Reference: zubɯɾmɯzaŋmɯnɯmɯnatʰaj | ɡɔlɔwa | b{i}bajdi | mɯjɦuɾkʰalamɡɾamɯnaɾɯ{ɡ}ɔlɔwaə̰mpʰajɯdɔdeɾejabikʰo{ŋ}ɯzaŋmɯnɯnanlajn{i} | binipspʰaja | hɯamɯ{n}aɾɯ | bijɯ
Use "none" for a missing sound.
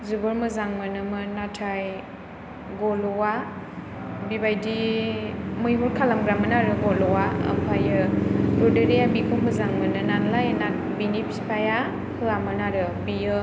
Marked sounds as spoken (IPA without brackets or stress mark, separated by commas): i, ɡ, m, a, n